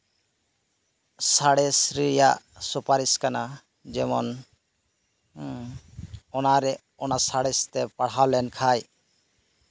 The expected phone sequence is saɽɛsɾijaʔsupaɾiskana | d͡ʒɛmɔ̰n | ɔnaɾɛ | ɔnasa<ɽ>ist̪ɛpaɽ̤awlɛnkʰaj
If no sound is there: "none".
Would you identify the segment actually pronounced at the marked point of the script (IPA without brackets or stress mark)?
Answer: ɽ